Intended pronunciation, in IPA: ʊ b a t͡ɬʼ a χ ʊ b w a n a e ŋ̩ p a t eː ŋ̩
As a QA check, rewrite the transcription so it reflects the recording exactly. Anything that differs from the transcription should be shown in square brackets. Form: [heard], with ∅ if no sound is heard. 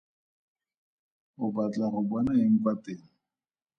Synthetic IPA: ʊ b a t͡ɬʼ a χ ʊ b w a n a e ŋ̩ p a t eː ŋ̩